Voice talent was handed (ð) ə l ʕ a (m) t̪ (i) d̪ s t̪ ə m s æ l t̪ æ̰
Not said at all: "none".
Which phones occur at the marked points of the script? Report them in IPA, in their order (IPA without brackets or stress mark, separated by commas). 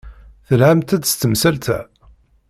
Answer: θ, m, æ